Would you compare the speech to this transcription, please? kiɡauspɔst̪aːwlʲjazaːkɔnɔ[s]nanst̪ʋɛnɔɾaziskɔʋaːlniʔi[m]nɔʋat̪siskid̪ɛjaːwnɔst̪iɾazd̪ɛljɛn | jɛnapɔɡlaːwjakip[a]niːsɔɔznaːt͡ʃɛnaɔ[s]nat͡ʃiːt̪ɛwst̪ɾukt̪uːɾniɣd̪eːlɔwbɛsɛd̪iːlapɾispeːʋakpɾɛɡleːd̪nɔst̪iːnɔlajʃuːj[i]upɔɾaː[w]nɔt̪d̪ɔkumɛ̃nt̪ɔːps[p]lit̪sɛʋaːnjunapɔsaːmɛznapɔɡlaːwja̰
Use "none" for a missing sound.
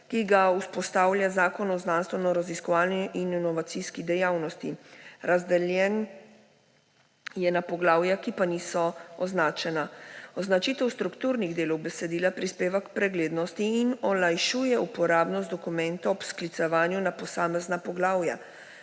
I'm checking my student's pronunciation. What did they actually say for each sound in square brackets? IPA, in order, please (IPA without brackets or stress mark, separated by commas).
z, n, a, z, ɛ, b, k